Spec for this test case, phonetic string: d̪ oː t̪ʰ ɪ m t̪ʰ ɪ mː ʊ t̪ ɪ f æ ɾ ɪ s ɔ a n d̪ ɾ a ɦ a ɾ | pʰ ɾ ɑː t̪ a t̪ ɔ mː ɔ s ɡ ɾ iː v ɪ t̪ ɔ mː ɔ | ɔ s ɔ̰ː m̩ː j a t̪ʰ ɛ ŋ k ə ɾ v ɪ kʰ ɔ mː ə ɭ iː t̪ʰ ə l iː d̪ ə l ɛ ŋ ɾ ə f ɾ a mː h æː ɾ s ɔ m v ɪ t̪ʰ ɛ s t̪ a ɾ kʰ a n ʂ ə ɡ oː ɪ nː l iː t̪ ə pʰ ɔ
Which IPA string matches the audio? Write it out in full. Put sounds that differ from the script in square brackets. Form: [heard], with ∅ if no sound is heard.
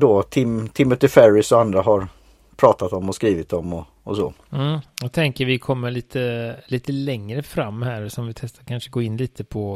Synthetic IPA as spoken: d̪ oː t̪ʰ ɪ m t̪ʰ ɪ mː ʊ t̪ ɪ f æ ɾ ɪ s ɔ a n d̪ ɾ a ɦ a ɾ | pʰ ɾ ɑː t̪ a t̪ ɔ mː ɔ s [k] ɾ iː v ɪ t̪ ɔ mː ɔ | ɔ s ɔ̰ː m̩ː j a t̪ʰ ɛ ŋ k ə ɾ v ɪ kʰ ɔ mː ə ɭ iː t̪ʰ ə l iː [t̪] ə l ɛ ŋ ɾ ə f ɾ a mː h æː ɾ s ɔ m v ɪ t̪ʰ ɛ s t̪ a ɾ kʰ a n ʂ ə ɡ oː ɪ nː l iː t̪ ə pʰ ɔ